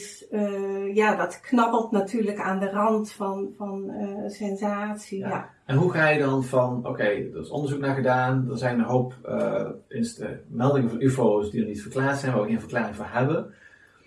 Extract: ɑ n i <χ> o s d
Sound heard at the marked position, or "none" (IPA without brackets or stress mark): f